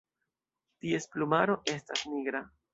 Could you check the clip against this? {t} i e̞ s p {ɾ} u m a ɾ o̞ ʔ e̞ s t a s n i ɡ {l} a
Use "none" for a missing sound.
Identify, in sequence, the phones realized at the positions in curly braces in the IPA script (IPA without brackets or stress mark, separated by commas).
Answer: t, l, ɾ